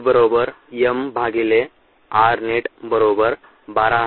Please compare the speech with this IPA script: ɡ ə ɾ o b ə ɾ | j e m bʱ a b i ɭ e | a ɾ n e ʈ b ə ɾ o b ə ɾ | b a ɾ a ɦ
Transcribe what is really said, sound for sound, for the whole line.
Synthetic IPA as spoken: b ə ɾ o b ə ɾ | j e m bʱ a ɡ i l e | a ɾ n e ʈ b ə ɾ o b ə ɾ | b a ɾ a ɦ